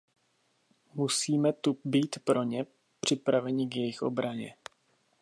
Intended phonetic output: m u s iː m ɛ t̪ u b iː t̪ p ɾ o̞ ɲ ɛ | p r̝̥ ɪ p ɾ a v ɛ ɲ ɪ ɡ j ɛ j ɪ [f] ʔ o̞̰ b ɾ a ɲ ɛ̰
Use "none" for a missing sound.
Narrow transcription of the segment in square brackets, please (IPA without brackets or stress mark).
x